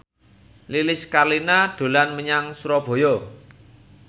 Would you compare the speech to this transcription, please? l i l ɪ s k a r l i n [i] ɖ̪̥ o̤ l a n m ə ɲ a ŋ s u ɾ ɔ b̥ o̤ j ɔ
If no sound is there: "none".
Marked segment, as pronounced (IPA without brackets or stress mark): a